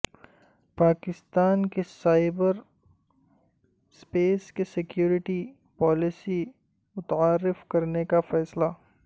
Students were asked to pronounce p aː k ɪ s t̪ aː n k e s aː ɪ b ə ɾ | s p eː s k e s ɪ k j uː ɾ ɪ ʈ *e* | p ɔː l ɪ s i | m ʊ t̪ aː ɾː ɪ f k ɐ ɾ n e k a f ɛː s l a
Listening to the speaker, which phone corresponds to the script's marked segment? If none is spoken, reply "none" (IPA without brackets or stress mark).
i